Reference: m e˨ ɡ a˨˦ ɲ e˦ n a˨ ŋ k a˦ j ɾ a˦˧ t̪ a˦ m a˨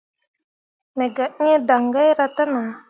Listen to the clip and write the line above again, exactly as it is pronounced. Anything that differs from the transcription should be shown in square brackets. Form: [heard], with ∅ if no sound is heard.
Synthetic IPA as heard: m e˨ ɡ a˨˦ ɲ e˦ [d] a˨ ŋ [ɡ] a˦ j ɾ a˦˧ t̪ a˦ [n] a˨